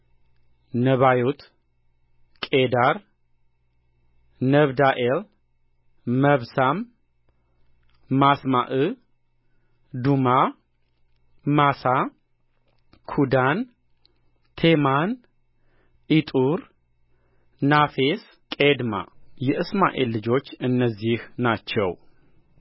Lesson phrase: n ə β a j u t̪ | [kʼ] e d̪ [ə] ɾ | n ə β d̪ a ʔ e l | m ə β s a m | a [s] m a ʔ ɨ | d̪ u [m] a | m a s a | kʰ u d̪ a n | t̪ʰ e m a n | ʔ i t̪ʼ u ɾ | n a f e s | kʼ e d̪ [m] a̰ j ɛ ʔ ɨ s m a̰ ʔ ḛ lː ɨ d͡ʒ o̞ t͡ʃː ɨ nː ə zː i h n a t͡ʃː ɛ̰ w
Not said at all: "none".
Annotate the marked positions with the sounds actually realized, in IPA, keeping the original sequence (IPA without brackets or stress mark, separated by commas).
kʼ, a, s, m, m